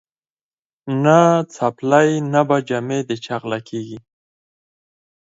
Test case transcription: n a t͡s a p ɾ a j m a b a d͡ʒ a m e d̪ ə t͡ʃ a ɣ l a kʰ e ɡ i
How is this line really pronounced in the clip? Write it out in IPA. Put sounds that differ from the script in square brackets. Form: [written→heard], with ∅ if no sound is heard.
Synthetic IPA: n a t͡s a p [ɾ→l] a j [m→n] a b a d͡ʒ a m e d̪ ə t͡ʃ a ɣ l a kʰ e ɡ i